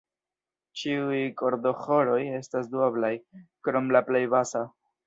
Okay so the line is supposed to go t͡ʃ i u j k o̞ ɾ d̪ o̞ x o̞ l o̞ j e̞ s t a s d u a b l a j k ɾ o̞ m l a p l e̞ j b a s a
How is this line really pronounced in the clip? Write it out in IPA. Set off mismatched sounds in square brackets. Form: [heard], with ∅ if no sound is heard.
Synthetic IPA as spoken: t͡ʃ i u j k o̞ ɾ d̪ o̞ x o̞ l o̞ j e̞ s t a s d u a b l a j k ɾ o̞ m l a p l e̞ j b a s a